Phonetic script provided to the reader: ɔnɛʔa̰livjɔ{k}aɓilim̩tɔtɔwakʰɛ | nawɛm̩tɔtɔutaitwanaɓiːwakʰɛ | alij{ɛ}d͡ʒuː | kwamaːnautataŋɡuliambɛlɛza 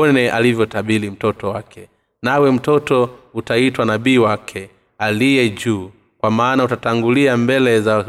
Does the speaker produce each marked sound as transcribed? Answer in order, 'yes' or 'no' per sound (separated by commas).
no, yes